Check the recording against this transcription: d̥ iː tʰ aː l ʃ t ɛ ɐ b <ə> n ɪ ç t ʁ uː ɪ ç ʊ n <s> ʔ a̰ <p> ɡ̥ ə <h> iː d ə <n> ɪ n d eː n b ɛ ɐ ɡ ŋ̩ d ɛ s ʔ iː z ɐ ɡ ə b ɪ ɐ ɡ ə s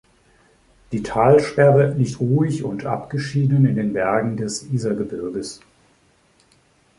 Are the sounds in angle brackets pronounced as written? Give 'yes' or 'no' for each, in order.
yes, no, yes, no, yes

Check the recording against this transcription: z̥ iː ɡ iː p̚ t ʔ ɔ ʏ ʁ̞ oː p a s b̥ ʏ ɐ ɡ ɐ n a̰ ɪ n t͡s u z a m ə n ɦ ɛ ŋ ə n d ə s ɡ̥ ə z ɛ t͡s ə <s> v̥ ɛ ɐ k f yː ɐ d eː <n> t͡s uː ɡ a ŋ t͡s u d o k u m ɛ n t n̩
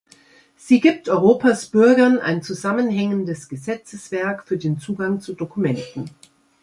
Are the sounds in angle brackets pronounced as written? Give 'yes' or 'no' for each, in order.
yes, yes

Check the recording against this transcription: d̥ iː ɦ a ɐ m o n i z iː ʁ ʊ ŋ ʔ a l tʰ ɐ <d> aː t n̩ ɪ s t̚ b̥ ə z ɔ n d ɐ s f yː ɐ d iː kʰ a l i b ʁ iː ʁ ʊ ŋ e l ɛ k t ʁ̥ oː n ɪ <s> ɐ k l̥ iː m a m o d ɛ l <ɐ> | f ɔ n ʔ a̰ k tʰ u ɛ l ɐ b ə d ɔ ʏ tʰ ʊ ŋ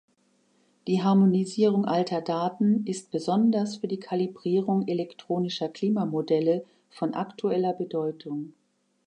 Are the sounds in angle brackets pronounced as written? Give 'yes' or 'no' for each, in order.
yes, no, no

